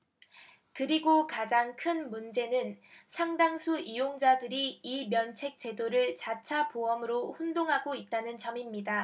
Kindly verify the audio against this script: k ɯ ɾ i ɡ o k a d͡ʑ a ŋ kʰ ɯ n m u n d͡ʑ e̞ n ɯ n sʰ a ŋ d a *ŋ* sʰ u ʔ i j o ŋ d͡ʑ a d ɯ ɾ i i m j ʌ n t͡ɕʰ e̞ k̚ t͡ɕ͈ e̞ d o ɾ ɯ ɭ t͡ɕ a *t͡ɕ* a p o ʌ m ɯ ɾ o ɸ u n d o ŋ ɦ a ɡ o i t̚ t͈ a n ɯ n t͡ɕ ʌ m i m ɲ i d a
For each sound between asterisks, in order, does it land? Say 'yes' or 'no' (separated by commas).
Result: yes, no